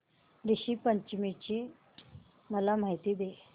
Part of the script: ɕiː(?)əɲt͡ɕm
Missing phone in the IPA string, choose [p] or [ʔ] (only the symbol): p